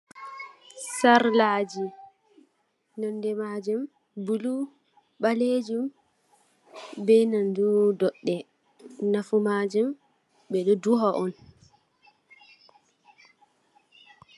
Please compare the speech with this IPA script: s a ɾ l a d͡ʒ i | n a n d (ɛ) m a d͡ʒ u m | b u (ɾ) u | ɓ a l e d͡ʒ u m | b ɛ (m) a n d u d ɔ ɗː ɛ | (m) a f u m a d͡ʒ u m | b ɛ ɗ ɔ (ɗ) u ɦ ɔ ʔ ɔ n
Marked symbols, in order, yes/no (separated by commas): yes, no, no, no, no